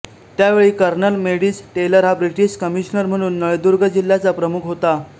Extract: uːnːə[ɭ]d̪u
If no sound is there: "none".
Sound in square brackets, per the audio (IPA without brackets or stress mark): ɭ